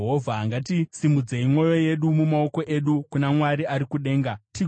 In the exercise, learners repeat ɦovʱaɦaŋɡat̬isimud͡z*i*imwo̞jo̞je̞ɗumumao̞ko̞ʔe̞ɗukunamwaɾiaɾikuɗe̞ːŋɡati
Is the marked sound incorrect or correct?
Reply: incorrect